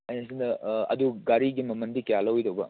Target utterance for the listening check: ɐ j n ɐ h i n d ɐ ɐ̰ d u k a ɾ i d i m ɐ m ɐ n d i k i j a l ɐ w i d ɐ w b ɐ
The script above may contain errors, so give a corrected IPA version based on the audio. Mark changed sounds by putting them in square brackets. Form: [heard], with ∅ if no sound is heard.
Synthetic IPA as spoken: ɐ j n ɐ [s] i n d ɐ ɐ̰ d u [ɡ] a ɾ i [ɡ] i m ɐ m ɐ n d i k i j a l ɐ w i d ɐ w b ɐ